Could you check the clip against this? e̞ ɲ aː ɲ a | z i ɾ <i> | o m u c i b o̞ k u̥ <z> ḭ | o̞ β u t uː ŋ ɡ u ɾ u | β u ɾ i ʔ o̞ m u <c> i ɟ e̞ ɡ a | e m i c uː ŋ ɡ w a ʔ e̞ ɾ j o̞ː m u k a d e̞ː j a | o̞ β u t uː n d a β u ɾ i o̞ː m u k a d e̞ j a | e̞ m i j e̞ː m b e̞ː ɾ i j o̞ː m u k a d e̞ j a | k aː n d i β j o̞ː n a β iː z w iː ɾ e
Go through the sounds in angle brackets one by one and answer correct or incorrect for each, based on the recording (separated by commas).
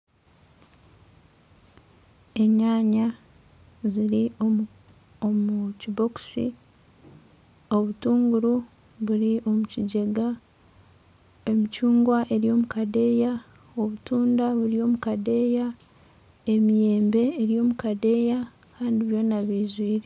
correct, incorrect, correct